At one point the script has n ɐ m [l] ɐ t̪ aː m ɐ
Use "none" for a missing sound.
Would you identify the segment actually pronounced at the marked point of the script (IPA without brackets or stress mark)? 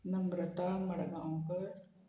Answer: ɾ